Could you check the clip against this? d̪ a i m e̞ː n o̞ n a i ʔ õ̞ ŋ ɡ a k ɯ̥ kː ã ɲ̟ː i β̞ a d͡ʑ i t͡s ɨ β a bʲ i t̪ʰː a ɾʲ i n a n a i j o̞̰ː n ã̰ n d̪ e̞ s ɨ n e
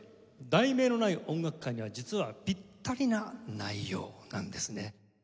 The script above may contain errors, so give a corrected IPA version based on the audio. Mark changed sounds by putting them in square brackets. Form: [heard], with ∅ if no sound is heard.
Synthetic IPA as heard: d̪ a i m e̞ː n o̞ n a i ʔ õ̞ ŋ ɡ a k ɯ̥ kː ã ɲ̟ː i β̞ a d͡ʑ i t͡s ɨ β a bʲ i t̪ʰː a ɾʲ i n a n a i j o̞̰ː n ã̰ n d̪ e̞ s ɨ n e